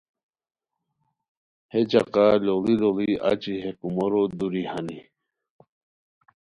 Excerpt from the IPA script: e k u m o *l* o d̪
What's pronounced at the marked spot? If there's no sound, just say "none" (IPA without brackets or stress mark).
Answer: ɾ